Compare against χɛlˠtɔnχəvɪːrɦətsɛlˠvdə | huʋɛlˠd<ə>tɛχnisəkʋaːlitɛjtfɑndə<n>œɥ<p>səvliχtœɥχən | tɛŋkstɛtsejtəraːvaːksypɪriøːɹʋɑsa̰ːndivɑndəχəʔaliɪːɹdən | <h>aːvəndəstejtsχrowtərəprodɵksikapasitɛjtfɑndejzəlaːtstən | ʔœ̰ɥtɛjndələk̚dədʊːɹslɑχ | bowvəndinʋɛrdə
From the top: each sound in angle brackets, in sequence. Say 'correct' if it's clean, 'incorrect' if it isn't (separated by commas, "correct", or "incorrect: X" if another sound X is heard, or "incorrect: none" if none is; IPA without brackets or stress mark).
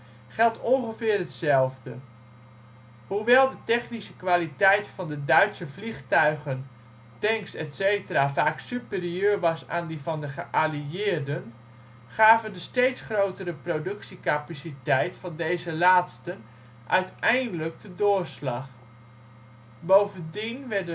correct, incorrect: d, incorrect: t, incorrect: χ